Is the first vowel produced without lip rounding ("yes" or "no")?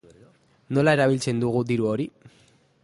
no